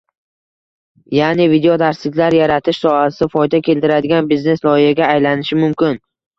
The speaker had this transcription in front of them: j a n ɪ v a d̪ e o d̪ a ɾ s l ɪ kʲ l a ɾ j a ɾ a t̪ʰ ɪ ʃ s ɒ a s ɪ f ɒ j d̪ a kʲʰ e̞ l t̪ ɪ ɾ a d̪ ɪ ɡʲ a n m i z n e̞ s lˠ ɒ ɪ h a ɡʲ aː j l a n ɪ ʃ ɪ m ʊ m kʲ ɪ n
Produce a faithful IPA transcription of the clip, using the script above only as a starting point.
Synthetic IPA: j a n ɪ v i d̪ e o d̪ a ɾ s l ɪ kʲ l a ɾ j a ɾ a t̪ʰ ɪ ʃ s ɒ a s ɪ f ɒ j d̪ a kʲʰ e̞ l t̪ ɪ ɾ a d̪ ɪ ɡʲ a n b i z n e̞ s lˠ ɒ ɪ h a ɡʲ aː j l a n ɪ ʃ ɪ m ʊ m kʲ ɪ n